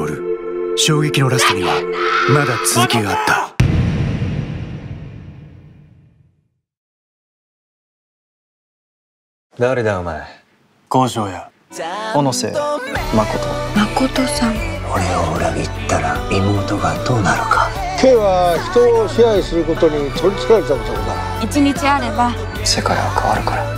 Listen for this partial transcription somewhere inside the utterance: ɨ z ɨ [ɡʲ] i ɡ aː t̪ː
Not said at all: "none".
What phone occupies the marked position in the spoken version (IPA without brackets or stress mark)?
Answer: kʲ